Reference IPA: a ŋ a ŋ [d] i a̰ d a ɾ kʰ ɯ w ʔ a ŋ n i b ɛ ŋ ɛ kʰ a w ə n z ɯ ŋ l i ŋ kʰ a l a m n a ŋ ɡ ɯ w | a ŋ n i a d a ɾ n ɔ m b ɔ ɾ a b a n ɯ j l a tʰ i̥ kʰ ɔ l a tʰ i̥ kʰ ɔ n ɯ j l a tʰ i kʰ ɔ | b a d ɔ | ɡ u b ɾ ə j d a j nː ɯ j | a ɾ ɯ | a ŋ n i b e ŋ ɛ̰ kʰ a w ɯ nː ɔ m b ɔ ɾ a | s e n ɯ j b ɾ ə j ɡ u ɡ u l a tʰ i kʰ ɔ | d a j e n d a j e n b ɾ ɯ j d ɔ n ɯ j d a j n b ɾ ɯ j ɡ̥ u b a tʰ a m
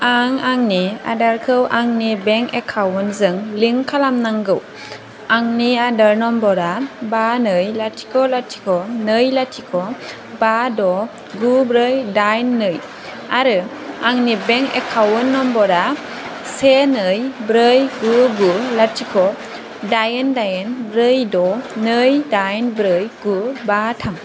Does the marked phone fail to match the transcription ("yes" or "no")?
yes